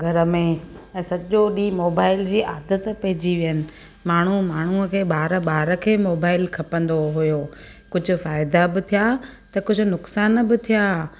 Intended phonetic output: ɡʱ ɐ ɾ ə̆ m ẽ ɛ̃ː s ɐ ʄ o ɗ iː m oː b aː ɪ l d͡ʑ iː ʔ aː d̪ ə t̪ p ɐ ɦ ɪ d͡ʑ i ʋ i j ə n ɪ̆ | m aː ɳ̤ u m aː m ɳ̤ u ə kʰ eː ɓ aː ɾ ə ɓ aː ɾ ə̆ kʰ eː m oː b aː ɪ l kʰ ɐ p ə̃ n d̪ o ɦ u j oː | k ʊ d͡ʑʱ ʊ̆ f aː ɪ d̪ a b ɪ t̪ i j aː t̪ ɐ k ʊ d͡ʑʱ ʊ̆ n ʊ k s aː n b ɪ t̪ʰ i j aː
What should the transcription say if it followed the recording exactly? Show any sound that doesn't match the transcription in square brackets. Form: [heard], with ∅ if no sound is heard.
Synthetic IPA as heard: ɡʱ ɐ ɾ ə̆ m ẽ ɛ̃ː s ɐ ʄ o ɗ iː m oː b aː ɪ l d͡ʑ iː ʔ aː d̪ ə t̪ p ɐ ɦ ɪ d͡ʑ i ʋ i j ə n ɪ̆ | m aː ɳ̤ u m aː [∅] ɳ̤ u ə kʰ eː ɓ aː ɾ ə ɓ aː ɾ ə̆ kʰ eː m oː b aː ɪ l kʰ ɐ p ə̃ n d̪ o ɦ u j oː | k ʊ d͡ʑʱ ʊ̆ f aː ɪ d̪ a b ɪ [t̪ʰ] i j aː t̪ ɐ k ʊ d͡ʑʱ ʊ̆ n ʊ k s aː n b ɪ t̪ʰ i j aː